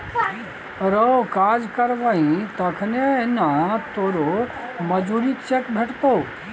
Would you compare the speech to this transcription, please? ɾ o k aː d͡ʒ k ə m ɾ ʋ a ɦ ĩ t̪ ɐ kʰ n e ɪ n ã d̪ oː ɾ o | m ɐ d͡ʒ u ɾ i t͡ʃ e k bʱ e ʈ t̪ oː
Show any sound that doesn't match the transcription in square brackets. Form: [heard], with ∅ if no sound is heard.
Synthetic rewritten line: ɾ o k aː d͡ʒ k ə [∅] ɾ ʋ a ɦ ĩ t̪ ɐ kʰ n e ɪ n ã [t̪] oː ɾ o | m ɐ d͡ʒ u ɾ i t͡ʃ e k bʱ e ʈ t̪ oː

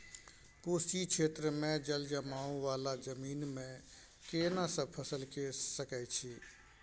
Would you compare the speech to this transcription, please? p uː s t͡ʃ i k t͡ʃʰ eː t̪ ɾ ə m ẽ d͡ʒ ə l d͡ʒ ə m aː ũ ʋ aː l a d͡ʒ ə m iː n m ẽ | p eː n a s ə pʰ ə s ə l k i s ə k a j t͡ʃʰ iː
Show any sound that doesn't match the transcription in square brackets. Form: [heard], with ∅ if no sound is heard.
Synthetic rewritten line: p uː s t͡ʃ i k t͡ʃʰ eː t̪ ɾ ə m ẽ d͡ʒ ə l d͡ʒ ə m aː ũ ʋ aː l a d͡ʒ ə m iː n m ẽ | [k] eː n a s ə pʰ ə s ə l k [e] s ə k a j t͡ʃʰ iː

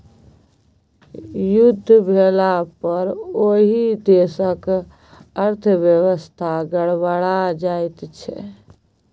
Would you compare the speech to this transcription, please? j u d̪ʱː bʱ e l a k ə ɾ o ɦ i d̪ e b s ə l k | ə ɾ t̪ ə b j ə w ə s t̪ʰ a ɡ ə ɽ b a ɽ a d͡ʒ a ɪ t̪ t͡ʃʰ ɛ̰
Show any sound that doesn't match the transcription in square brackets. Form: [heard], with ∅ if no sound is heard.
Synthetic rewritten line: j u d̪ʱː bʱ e l a [p] ə ɾ o ɦ i d̪ e [∅] s ə [∅] k | ə ɾ [t̪ʰ] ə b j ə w ə s t̪ʰ a ɡ ə ɽ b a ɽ a d͡ʒ a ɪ t̪ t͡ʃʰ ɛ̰

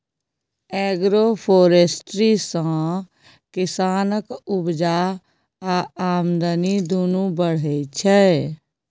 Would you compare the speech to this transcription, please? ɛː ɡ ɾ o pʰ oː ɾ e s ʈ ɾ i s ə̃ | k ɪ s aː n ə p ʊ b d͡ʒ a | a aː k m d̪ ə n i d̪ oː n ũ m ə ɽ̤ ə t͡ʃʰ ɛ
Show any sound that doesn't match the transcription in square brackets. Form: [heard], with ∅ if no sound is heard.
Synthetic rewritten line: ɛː ɡ ɾ o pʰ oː ɾ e s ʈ ɾ i s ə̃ | k ɪ s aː n ə [k] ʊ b d͡ʒ a | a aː [∅] m d̪ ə n i d̪ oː n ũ [b] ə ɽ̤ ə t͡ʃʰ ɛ

